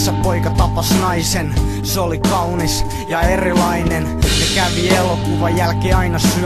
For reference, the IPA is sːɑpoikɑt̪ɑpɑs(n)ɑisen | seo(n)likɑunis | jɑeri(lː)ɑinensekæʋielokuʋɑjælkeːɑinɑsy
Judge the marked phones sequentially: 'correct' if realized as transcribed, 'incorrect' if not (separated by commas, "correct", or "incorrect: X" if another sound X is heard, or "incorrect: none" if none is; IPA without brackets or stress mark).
correct, incorrect: none, incorrect: l